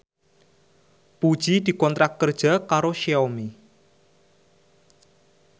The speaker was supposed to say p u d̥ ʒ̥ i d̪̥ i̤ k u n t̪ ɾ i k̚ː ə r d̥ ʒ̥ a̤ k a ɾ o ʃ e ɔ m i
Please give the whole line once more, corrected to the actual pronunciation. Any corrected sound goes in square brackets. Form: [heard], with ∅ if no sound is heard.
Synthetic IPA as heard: p u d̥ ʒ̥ i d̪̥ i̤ k [ɔ] n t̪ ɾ [a] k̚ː ə r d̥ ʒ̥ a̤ k a ɾ o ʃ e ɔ m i